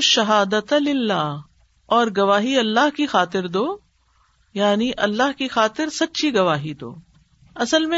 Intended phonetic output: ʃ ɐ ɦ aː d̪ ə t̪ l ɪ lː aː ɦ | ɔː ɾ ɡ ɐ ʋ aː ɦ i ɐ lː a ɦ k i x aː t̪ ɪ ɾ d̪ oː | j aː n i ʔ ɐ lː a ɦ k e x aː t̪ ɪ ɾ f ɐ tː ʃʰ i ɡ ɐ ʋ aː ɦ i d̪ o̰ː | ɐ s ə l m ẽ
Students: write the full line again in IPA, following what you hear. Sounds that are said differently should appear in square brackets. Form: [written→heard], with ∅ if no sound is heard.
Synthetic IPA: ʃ ɐ ɦ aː d̪ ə t̪ l ɪ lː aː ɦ | ɔː ɾ ɡ ɐ ʋ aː ɦ i ɐ lː a ɦ k i x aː t̪ ɪ ɾ d̪ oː | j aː n i ʔ ɐ lː a ɦ k [e→i] x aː t̪ ɪ ɾ [f→s] ɐ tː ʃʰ i ɡ ɐ ʋ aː ɦ i d̪ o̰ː | ɐ s ə l m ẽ